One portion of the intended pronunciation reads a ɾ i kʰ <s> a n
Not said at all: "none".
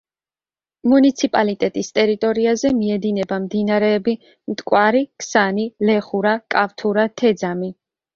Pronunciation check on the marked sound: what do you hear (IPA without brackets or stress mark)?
s